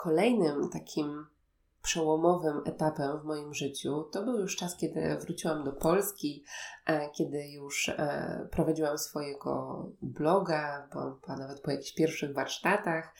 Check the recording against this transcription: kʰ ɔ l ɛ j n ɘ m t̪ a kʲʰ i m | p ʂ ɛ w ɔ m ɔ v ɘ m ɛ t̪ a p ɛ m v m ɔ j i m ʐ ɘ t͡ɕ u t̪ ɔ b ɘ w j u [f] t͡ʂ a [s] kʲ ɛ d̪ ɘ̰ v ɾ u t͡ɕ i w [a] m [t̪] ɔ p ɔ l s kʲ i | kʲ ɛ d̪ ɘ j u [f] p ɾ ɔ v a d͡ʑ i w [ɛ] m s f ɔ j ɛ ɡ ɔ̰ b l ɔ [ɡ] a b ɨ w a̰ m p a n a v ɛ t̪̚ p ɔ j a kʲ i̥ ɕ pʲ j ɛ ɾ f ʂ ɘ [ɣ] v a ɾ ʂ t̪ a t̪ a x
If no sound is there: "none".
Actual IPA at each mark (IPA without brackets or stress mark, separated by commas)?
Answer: ʂ, s, a, d̪, ʂ, a, ɡ, ɣ